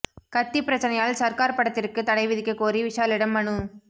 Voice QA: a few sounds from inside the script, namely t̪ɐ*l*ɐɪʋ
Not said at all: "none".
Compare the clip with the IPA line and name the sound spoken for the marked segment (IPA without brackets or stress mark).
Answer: ɽ